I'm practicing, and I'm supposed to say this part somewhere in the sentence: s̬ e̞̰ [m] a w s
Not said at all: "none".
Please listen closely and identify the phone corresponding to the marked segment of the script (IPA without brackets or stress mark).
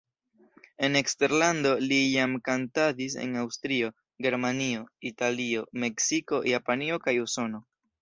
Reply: n